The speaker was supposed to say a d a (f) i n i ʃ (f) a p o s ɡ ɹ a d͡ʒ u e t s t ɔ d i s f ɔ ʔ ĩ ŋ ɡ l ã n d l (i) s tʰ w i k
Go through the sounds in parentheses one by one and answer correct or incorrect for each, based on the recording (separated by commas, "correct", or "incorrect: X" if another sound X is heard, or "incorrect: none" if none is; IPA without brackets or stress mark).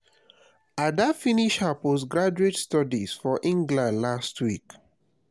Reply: correct, incorrect: h, incorrect: a